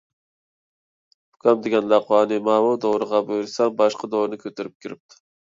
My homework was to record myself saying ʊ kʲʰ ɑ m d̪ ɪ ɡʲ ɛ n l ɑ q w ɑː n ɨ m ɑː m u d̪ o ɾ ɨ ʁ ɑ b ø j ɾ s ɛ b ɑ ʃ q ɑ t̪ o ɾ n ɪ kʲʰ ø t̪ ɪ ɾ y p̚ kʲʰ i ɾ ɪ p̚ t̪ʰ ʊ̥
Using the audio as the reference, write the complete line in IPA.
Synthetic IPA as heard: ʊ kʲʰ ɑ m d̪ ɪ ɡʲ ɛ n l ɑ q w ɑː n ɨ m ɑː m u d̪ o ɾ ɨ ʁ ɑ b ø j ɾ s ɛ b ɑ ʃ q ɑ d̪ o ɾ n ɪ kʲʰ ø t̪ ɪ ɾ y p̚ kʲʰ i ɾ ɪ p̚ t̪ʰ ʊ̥